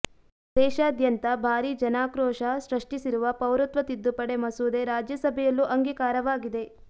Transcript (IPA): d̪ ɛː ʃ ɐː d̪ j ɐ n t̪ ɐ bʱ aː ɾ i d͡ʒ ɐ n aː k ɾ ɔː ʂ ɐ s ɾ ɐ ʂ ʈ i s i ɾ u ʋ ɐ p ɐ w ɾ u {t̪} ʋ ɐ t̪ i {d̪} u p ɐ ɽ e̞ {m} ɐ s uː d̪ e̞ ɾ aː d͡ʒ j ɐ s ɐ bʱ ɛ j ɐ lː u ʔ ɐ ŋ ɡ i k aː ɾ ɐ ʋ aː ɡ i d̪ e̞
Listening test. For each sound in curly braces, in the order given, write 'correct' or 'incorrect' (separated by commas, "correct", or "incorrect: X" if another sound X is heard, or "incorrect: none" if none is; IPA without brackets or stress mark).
correct, incorrect: d̪ː, correct